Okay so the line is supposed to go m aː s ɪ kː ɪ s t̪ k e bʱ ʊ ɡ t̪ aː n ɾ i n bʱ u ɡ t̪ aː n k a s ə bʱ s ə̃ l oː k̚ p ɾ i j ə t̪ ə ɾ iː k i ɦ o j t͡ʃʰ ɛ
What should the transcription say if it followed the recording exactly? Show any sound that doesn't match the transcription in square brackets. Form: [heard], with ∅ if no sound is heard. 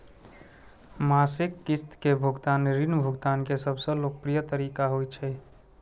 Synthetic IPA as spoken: m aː s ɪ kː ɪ s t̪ k e bʱ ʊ ɡ t̪ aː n ɾ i n bʱ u ɡ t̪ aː n k [e] s ə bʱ s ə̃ l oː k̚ p ɾ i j ə t̪ ə ɾ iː k [a] ɦ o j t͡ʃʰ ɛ